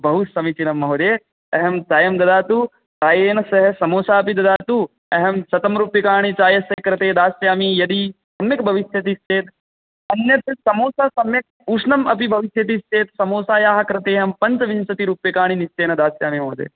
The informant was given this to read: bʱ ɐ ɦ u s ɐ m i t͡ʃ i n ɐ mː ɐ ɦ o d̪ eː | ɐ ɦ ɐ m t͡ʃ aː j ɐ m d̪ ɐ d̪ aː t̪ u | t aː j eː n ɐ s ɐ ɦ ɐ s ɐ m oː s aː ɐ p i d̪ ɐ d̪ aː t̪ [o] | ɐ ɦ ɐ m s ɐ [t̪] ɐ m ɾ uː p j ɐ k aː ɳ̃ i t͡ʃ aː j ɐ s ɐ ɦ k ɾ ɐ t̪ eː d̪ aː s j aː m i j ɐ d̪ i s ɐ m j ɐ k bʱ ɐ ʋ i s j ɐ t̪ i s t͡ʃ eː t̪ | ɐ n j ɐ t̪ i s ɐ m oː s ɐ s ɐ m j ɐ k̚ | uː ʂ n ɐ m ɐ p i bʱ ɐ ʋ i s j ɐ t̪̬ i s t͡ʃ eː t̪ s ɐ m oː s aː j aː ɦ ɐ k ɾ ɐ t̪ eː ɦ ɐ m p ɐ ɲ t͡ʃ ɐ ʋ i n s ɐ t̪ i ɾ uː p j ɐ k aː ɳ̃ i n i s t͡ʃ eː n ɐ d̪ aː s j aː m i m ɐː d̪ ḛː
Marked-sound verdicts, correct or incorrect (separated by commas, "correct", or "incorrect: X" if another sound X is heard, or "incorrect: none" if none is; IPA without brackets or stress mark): incorrect: u, correct